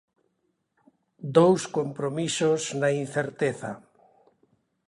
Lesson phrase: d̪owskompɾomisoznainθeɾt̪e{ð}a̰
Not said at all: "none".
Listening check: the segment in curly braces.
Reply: θ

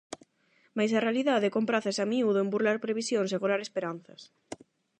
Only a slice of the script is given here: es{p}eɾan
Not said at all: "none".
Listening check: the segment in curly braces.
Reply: p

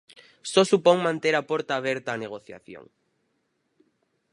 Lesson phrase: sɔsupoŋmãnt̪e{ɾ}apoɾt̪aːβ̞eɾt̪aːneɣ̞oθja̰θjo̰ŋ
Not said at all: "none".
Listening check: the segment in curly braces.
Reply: ɾ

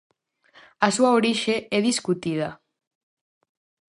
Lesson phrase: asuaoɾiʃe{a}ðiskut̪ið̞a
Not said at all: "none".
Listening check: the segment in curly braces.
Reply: ɛ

